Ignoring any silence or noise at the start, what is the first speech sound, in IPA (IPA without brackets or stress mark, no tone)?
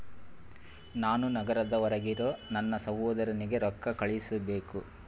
n